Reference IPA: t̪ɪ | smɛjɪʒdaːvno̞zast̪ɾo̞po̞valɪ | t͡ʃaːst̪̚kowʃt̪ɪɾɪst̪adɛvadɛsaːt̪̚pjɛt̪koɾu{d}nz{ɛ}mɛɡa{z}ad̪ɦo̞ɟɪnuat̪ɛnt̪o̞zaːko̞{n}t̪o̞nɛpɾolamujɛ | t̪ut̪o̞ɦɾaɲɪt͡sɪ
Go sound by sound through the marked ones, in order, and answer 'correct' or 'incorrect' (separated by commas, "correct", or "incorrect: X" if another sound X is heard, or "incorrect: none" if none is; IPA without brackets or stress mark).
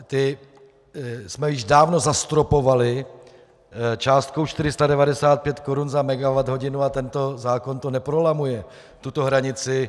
incorrect: none, incorrect: a, incorrect: v, correct